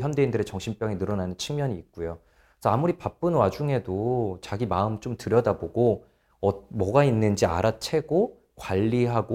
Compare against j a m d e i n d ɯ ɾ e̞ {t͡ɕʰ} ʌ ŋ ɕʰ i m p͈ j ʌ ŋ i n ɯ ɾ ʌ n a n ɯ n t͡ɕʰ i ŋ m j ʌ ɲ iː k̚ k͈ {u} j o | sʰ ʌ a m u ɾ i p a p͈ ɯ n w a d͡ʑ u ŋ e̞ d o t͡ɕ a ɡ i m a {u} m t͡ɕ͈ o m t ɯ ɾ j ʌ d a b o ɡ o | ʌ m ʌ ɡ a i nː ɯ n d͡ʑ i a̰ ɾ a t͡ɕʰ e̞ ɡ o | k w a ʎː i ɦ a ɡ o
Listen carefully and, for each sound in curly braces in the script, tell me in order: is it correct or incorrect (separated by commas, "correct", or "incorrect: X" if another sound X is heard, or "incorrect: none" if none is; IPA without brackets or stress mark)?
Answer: incorrect: t͡ɕ, correct, incorrect: ɯ